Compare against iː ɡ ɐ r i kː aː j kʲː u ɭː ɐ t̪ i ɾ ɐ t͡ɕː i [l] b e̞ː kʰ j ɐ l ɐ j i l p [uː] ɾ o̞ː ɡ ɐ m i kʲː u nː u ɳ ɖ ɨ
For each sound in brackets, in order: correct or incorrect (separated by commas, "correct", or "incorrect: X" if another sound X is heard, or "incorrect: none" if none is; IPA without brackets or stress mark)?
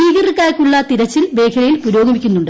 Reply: correct, incorrect: u